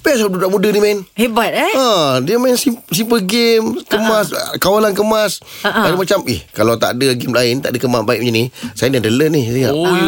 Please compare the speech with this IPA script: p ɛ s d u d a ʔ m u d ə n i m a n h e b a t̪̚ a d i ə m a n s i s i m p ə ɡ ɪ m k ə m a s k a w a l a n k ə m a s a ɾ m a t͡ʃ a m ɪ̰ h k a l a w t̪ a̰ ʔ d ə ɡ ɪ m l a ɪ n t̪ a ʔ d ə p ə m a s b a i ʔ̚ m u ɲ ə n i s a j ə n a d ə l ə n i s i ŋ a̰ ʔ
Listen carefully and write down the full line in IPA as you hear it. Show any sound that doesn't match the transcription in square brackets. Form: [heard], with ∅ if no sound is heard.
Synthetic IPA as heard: p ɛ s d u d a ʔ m u d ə n i m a n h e b a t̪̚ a d i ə m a n s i s i m p ə ɡ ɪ m k ə m a s k a w a l a n k ə m a s a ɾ m a t͡ʃ a m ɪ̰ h k a l a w t̪ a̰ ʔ d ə ɡ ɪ m l a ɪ n t̪ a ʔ d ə [k] ə m a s b a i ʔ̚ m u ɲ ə n i s a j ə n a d ə l ə n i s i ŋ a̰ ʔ